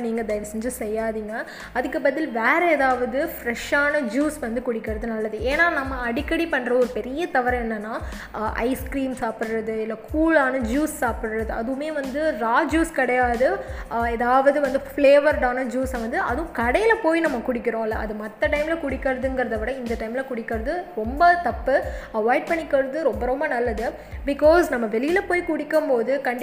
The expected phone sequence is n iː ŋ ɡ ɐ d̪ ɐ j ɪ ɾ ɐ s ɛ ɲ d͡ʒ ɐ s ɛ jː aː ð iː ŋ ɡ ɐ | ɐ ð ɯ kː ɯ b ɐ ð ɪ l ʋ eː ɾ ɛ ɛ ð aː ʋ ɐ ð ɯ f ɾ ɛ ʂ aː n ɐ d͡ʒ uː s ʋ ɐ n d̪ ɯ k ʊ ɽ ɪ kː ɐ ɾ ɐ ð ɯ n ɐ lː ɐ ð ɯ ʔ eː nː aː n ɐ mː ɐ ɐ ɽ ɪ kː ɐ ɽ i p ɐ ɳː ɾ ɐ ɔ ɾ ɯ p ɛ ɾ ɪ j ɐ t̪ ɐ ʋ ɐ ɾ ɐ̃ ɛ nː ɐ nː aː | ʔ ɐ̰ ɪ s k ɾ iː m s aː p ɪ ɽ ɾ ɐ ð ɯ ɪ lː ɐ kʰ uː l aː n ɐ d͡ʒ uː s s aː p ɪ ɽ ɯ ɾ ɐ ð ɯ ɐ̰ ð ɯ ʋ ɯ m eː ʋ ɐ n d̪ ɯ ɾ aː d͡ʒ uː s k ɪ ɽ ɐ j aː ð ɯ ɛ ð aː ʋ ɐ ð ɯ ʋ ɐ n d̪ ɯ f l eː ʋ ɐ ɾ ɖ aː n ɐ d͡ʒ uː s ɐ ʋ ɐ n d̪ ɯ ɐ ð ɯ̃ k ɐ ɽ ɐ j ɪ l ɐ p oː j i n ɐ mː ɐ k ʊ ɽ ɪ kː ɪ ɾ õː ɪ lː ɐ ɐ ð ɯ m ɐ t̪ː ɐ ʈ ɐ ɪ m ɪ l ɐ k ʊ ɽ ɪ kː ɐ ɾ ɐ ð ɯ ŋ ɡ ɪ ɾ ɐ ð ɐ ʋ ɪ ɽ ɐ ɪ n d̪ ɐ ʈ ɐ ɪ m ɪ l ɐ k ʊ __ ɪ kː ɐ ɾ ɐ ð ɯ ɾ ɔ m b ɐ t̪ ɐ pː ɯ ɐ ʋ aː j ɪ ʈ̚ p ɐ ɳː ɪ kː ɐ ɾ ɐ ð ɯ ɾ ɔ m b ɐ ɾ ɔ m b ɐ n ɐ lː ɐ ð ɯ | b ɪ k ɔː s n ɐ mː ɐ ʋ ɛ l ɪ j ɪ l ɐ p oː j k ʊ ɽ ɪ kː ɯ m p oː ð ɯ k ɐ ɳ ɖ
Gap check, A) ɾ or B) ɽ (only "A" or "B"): B